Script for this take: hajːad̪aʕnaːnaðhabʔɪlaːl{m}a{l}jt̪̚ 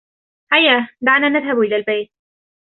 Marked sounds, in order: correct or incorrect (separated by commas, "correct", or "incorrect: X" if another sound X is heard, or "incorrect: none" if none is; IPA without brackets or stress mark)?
incorrect: b, incorrect: none